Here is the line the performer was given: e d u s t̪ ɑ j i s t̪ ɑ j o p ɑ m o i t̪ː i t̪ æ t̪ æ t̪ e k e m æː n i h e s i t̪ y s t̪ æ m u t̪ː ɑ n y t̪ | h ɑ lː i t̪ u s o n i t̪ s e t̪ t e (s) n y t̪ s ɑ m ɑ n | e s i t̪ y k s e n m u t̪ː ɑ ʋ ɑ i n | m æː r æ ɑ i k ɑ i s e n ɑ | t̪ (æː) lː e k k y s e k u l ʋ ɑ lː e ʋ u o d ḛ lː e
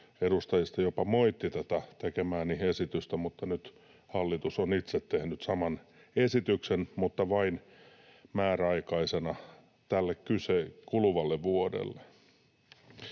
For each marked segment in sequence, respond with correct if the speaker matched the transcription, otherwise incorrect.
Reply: incorrect: h, incorrect: æ

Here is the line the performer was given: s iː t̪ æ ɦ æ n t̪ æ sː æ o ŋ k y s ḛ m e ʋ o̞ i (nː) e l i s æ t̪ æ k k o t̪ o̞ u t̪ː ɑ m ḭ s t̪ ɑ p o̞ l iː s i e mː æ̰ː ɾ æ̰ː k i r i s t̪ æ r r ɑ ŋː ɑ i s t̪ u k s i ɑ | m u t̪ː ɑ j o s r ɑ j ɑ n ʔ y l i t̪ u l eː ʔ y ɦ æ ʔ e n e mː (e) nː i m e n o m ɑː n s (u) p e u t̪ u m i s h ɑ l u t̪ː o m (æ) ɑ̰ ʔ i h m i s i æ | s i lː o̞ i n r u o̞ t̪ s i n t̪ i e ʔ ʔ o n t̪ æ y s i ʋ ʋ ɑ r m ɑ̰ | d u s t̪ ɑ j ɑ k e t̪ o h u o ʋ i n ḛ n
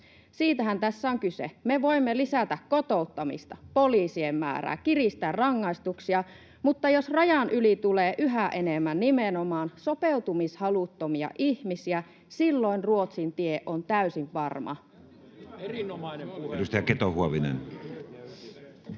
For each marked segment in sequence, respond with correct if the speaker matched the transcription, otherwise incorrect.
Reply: incorrect: mː, incorrect: æ, incorrect: o, incorrect: i

